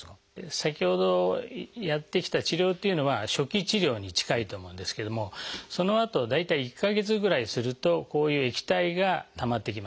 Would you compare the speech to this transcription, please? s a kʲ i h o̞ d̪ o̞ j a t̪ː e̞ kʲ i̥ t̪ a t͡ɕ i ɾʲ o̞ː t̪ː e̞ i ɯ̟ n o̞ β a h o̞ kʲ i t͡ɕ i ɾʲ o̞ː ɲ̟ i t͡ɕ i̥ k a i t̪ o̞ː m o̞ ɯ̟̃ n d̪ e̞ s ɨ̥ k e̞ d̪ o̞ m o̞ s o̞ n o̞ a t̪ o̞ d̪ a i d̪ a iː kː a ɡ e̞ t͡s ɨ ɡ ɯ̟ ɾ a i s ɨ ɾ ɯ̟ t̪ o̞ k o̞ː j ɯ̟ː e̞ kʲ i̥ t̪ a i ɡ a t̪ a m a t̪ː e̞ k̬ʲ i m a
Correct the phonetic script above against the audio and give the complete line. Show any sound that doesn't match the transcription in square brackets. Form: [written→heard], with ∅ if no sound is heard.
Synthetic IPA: s a kʲ i h o̞ d̪ o̞ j a t̪ː e̞ kʲ i̥ t̪ a t͡ɕ i ɾʲ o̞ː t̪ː e̞ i ɯ̟ n o̞ β a [h→ɕ] o̞ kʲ i t͡ɕ i ɾʲ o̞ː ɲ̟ i t͡ɕ i̥ k a i t̪ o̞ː m o̞ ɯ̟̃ n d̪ e̞ s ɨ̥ k e̞ d̪ o̞ m o̞ s o̞ n o̞ a t̪ o̞ d̪ a i [d̪→t̪] a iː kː a ɡ e̞ t͡s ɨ ɡ ɯ̟ ɾ a i s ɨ ɾ ɯ̟ t̪ o̞ k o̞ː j ɯ̟ː e̞ kʲ i̥ t̪ a i ɡ a t̪ a m a t̪ː e̞ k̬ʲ i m a